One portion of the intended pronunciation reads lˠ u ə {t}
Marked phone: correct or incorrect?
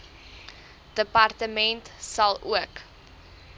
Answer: incorrect: k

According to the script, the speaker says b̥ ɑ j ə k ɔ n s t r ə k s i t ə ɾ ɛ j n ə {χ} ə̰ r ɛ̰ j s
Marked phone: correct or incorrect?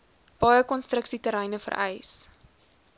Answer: incorrect: f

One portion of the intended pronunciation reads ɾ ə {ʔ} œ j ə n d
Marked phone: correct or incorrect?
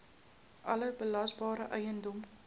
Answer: correct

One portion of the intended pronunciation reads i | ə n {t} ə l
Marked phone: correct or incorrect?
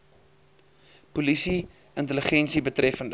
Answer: correct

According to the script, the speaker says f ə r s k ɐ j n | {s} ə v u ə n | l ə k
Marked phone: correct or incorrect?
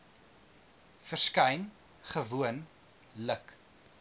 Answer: incorrect: χ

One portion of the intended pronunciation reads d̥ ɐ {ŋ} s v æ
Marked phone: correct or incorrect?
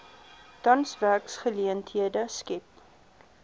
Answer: incorrect: n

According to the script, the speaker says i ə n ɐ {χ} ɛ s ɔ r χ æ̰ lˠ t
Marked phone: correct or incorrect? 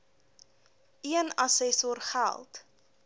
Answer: incorrect: s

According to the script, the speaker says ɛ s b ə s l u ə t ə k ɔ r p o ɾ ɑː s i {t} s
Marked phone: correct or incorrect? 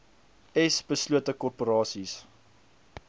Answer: incorrect: none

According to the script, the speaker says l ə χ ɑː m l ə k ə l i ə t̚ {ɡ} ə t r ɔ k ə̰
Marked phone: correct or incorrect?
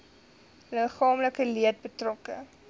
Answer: incorrect: b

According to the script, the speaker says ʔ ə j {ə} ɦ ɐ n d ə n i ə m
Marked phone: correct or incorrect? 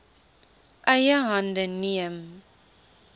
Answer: correct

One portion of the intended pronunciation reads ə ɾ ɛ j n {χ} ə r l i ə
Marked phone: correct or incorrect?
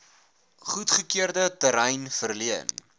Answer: incorrect: f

